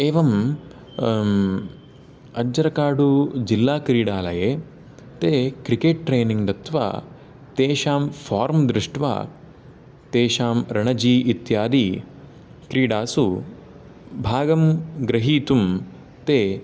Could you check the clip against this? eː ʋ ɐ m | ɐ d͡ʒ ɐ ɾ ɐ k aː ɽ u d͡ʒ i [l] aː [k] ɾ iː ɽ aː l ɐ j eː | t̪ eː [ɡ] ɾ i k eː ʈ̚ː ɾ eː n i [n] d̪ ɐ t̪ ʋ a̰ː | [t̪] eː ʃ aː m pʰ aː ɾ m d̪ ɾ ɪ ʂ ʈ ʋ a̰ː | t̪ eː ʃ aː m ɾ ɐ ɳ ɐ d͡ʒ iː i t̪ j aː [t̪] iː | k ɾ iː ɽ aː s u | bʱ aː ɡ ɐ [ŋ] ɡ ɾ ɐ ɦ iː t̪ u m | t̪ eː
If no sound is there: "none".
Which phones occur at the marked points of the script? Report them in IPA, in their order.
lː, k, k, ŋ, t̪, d̪, m

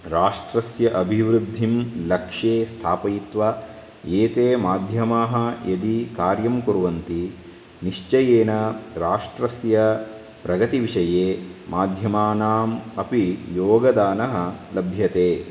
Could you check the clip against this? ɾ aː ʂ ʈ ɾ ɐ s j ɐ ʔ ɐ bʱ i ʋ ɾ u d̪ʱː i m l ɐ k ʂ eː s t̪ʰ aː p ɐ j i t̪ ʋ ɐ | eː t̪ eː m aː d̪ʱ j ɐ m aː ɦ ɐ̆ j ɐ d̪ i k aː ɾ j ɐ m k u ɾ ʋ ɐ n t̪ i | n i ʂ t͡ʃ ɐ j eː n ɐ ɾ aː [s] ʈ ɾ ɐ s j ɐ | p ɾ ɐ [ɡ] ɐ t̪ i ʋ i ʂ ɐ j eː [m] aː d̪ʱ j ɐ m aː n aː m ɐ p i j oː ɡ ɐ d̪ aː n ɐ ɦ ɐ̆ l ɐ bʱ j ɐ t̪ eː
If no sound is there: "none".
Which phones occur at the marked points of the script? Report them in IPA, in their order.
ʂ, ɡ, m

